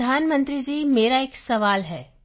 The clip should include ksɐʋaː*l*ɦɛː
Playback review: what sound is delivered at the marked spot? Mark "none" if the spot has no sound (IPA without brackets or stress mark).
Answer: l